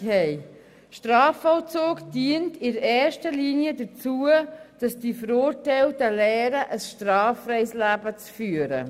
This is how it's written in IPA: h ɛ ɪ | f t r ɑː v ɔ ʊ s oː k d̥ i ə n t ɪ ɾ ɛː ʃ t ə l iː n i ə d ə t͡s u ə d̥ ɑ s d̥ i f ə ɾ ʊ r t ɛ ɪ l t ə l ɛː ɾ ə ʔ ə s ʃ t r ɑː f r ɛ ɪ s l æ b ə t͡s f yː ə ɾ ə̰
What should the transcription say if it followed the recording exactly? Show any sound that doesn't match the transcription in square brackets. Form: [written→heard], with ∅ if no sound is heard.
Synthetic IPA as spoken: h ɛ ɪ | [f→ʃ] t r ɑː [v→f] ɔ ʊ [s→t͡s] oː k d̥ i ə n t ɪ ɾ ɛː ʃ t ə l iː n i ə d ə t͡s u ə d̥ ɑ s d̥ i f ə ɾ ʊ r t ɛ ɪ l t ə l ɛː ɾ ə ʔ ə s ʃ t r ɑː f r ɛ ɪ s l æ b ə t͡s f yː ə ɾ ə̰